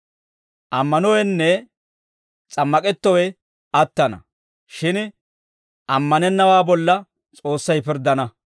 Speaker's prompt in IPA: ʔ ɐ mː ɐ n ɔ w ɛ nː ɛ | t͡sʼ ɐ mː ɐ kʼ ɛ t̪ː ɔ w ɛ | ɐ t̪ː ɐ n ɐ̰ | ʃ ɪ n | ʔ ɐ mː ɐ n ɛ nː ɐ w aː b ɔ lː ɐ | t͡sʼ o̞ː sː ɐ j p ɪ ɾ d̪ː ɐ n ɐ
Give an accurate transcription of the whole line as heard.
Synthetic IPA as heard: ʔ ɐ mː ɐ n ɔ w ɛ nː ɛ | t͡sʼ ɐ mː ɐ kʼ ɛ t̪ː ɔ w ɛ | ɐ t̪ː ɐ n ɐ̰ | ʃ ɪ n | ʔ ɐ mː ɐ n ɛ nː ɐ w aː b ɔ lː ɐ | t͡sʼ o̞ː sː ɐ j p ɪ ɾ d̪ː ɐ n ɐ